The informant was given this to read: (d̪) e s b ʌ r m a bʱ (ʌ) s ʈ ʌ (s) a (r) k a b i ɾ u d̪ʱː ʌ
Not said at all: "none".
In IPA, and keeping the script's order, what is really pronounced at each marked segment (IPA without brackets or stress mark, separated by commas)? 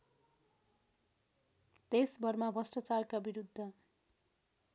t̪, ʌ, t͡s, r